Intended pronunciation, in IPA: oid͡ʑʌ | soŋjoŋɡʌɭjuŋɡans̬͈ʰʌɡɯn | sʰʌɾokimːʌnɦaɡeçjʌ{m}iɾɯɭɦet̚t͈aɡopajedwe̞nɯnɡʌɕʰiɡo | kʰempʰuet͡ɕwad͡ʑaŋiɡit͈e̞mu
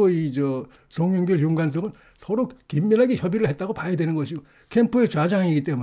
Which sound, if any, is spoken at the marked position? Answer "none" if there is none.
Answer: b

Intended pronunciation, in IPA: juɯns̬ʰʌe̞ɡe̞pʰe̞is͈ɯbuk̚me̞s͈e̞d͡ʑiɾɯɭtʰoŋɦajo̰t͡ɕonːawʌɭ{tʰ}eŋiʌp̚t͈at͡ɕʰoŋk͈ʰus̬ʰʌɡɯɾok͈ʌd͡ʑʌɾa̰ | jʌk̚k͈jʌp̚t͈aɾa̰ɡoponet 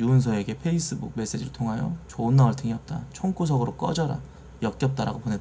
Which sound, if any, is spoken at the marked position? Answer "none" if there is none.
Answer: tʰ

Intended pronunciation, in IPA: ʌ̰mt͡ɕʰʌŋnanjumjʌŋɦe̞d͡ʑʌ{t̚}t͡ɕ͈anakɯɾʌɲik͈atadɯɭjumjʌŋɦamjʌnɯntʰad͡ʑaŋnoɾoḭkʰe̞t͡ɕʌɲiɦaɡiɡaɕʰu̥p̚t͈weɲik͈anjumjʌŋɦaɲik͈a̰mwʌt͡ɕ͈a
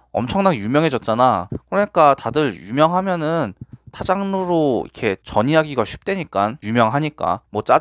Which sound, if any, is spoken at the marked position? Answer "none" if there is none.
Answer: t̚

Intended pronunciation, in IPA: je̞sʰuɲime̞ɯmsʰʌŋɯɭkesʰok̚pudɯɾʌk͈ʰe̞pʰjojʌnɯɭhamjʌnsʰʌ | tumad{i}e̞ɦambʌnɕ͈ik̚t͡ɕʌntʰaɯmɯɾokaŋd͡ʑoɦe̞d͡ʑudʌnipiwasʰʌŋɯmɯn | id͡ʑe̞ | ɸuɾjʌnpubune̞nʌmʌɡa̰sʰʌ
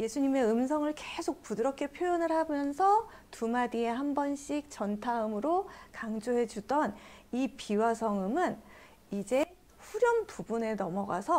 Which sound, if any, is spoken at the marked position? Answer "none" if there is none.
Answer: i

